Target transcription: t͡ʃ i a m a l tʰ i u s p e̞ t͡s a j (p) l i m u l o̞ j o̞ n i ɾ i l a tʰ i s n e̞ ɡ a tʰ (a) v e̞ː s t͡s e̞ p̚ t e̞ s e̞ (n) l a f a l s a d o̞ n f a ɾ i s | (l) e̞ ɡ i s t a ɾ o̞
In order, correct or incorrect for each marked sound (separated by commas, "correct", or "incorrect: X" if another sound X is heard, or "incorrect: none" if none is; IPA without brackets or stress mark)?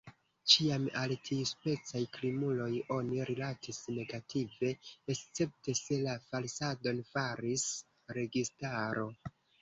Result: incorrect: k, incorrect: i, incorrect: none, incorrect: ɾ